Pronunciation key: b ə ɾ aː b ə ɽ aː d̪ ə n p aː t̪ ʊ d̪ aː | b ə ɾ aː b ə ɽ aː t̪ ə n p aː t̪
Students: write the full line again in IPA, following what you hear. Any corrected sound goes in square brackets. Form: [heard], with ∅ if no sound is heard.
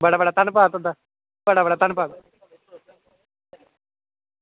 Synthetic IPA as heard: b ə [ɽ] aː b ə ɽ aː [t̪] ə n p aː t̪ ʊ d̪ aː | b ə [ɽ] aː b ə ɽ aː t̪ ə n p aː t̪